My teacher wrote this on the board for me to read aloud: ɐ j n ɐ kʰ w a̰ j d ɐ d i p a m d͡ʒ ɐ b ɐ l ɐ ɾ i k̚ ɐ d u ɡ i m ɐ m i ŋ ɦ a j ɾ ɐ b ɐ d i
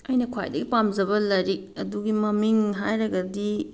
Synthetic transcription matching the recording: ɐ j n ɐ kʰ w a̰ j d ɐ ɡ i p a m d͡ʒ ɐ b ɐ l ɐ ɾ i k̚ ɐ d u ɡ i m ɐ m i ŋ ɦ a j ɾ ɐ ɡ ɐ d i